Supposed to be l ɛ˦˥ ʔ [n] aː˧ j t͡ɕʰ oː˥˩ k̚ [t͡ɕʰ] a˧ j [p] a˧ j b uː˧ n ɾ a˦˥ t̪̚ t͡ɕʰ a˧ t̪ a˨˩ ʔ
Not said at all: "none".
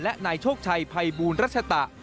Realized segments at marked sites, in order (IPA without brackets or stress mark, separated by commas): n, t͡ɕʰ, pʰ